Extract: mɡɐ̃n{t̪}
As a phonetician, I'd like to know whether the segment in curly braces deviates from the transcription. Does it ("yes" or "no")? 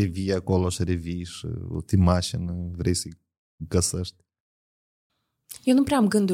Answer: yes